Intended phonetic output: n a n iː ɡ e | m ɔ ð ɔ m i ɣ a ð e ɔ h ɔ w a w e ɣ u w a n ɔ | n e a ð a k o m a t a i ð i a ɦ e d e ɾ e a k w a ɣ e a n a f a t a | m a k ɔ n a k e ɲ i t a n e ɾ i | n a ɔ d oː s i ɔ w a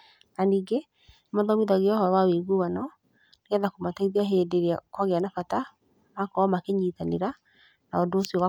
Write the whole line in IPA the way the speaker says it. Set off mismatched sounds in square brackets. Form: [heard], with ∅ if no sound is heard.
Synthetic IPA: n a n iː ɡ e | m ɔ ð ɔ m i [ð] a [ɣ] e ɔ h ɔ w a w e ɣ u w a n ɔ | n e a ð a k o m a t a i ð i a ɦ e d e ɾ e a k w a ɣ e a n a f a t a | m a k ɔ [m] a k e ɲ i t a n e ɾ [a] | n a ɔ d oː s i ɔ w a